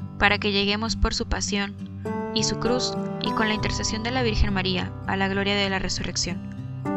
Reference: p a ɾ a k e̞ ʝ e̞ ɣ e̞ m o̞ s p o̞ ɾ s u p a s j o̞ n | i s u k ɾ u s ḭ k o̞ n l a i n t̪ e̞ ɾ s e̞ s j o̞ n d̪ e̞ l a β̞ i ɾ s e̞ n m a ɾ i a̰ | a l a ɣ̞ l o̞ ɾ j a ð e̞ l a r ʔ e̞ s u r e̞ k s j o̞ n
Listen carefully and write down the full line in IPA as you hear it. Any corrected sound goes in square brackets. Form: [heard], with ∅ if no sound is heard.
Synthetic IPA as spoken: p a ɾ a k e̞ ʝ e̞ ɣ e̞ m o̞ s p o̞ ɾ s u p a s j o̞ n | i s u k ɾ u s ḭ k o̞ n l a i n t̪ e̞ ɾ s e̞ s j o̞ n d̪ e̞ l a β̞ i ɾ [x] e̞ n m a ɾ i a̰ | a l a ɣ̞ l o̞ ɾ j a ð e̞ l a r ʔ e̞ s u r e̞ k s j o̞ n